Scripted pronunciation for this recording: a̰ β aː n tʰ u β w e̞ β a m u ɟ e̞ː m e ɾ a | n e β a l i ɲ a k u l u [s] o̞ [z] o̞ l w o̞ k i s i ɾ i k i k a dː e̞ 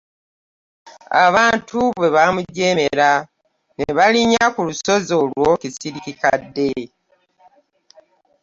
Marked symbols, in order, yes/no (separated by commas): yes, yes